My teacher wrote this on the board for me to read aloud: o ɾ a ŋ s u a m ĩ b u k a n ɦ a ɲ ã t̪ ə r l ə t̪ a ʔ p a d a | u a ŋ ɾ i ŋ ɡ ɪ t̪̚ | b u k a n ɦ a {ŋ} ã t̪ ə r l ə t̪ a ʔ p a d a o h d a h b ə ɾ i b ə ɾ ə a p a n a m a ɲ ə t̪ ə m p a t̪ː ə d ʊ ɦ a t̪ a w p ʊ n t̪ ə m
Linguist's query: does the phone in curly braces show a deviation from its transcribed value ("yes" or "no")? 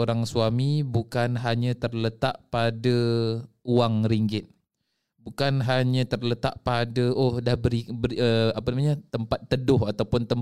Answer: yes